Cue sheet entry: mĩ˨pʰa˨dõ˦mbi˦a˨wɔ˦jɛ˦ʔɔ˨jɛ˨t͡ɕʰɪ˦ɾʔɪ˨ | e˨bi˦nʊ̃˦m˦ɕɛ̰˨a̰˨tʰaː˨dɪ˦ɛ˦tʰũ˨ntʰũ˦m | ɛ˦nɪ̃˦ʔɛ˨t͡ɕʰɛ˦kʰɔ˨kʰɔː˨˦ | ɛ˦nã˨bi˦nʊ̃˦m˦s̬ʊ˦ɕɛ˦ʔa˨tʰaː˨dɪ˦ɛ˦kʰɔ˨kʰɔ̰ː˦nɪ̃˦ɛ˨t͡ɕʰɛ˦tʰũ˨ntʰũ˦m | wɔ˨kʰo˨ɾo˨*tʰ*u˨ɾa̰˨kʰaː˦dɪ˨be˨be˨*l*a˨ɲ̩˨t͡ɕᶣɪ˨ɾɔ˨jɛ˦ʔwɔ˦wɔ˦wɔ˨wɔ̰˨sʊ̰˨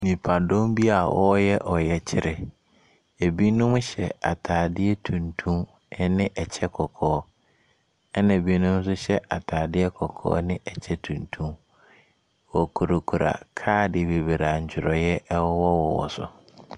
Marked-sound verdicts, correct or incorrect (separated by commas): incorrect, incorrect